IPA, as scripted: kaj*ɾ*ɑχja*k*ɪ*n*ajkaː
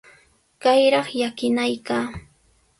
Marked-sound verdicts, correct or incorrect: correct, correct, correct

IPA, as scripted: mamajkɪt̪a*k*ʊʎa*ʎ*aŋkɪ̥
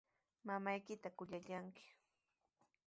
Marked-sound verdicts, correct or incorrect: correct, correct

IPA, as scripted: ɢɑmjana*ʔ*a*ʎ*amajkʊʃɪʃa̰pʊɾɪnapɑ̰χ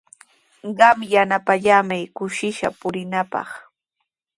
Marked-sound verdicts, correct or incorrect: incorrect: p, correct

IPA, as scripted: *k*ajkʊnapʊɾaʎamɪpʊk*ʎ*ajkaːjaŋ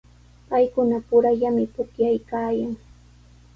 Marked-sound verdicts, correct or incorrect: incorrect: p, incorrect: j

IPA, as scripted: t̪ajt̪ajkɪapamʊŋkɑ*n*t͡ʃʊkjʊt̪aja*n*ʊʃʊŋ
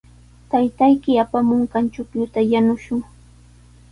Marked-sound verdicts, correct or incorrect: correct, correct

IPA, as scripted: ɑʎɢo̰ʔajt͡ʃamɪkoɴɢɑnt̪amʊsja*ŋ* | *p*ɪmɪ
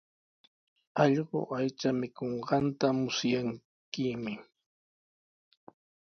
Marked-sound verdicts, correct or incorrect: correct, incorrect: k

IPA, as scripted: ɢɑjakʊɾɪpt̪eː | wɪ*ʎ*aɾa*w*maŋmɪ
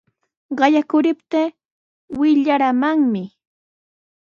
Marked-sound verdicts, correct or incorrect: correct, incorrect: none

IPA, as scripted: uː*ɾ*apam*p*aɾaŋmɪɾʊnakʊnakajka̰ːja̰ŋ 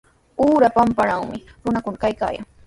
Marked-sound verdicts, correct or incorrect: correct, correct

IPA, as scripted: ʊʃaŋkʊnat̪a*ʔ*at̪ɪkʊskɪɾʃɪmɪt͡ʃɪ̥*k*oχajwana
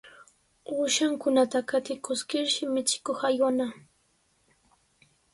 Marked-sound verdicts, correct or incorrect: incorrect: k, correct

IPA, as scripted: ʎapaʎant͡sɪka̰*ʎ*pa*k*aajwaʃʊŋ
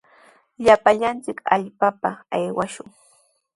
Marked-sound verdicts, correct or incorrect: correct, incorrect: p

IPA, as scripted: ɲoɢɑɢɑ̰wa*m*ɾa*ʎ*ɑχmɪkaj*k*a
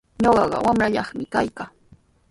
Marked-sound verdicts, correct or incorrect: correct, correct, correct

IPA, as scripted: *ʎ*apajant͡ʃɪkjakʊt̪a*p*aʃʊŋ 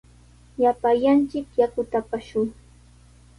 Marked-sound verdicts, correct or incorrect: incorrect: j, correct

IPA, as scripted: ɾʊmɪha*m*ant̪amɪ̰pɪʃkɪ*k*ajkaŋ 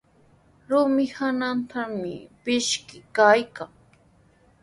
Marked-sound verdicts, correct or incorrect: incorrect: n, correct

